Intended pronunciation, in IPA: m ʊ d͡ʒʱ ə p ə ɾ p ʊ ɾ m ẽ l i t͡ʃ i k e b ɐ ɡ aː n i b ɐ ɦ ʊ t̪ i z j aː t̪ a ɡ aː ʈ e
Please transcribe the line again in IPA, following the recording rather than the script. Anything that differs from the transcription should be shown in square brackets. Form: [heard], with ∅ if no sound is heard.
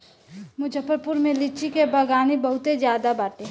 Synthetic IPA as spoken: m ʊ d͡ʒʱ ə p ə ɾ p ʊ ɾ m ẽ l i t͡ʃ i k e b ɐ ɡ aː n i b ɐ ɦ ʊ t̪ [e] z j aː [d̪] a [b] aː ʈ e